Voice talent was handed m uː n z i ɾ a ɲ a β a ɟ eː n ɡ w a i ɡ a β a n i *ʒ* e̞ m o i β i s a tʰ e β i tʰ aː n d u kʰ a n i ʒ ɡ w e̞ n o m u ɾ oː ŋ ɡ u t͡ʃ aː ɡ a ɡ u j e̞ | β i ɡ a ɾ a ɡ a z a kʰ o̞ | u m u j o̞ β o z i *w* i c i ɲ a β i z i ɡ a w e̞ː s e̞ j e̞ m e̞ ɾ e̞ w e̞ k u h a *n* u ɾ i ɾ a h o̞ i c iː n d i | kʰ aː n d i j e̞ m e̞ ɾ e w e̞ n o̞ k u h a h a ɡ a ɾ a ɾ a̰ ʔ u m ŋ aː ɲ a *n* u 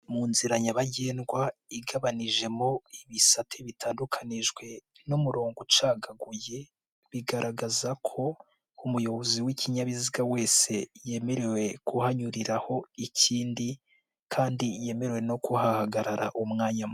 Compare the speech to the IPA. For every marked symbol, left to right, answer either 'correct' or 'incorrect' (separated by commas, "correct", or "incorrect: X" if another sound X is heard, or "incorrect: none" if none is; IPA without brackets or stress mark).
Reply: correct, correct, incorrect: ɲ, incorrect: m